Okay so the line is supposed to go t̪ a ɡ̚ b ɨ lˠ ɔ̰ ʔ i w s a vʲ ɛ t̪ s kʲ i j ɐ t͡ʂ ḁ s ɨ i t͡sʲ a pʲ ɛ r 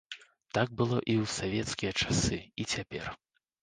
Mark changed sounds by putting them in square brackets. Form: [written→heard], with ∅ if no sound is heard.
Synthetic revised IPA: t̪ a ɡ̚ b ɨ lˠ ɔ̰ ʔ i w s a vʲ ɛ t̪ s kʲ i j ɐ t͡ʂ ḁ s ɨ i t͡sʲ a pʲ ɛ r